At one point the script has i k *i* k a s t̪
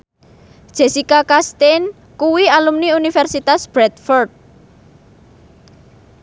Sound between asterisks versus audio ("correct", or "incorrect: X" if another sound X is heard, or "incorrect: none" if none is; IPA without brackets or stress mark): incorrect: a